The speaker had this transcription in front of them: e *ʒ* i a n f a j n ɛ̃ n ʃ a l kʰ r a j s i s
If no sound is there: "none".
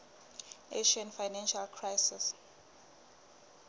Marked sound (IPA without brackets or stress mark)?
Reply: ʃ